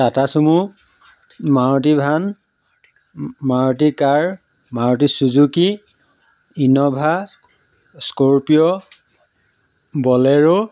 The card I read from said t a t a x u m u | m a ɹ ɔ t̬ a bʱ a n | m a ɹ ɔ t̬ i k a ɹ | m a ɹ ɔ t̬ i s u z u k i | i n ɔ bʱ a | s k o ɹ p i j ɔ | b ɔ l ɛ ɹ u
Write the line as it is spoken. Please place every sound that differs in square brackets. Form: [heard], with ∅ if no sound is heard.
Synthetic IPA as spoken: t a t a [s] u m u | m a ɹ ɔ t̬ [i] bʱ a n | m a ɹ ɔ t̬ i k a ɹ | m a ɹ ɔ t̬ i s u z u k i | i n ɔ bʱ a | s k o ɹ p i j ɔ | b ɔ l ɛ ɹ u